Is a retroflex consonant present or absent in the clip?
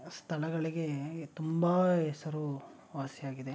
present